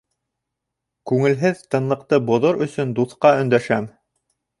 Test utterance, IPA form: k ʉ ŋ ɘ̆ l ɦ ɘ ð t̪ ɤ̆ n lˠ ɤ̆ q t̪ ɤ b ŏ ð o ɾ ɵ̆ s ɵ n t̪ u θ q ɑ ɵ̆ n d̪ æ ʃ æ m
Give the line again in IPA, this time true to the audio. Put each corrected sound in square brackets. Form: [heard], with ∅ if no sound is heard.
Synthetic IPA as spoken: k ʉ ŋ ɘ̆ l ɦ ɘ ð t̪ ɤ̆ n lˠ ɤ̆ q t̪ ɤ b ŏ ð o ɾ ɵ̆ s ɵ n [d̪] u θ q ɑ ɵ̆ n d̪ æ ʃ æ m